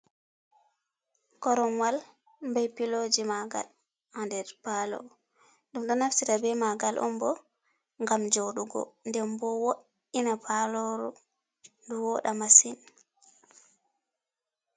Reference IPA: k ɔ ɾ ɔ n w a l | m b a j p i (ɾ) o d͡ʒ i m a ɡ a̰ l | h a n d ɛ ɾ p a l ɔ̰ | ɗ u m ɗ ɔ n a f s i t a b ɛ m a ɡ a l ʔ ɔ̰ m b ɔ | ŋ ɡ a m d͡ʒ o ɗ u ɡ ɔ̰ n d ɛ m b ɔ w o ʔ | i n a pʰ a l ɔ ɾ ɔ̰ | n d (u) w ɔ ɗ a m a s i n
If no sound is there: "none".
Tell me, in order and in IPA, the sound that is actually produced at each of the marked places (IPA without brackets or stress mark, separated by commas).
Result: l, u